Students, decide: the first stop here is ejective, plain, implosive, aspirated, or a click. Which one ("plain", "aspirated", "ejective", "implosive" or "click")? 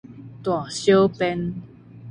plain